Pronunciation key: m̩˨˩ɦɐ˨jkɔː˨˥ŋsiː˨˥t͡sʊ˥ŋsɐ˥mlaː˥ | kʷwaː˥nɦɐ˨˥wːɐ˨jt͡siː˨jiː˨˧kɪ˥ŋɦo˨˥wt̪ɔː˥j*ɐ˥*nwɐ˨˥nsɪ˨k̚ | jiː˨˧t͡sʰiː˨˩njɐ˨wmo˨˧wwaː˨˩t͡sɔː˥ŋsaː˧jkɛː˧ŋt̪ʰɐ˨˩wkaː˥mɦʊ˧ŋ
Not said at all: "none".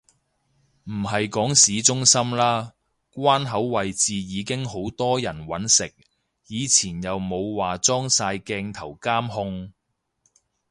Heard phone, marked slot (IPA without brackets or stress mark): ɐ˨˩